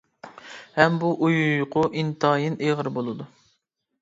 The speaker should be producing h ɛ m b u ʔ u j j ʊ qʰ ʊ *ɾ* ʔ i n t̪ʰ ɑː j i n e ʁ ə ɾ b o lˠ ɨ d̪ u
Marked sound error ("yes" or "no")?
yes